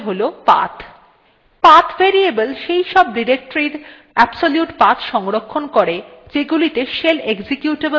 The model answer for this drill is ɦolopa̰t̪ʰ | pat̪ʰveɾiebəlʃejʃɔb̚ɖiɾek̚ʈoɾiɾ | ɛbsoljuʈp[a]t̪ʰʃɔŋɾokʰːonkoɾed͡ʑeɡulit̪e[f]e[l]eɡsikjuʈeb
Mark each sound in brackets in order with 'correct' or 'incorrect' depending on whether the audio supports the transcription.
correct, incorrect, correct

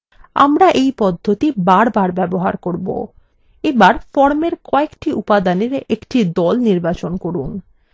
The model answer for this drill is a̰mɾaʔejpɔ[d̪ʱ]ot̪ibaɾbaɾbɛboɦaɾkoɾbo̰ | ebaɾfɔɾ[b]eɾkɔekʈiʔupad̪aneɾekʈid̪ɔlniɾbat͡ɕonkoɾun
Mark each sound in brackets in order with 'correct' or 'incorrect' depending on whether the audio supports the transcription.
incorrect, incorrect

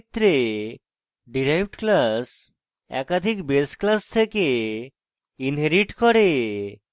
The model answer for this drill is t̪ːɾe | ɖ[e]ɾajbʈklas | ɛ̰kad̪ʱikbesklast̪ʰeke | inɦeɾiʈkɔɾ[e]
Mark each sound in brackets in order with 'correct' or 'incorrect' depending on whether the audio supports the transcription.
incorrect, correct

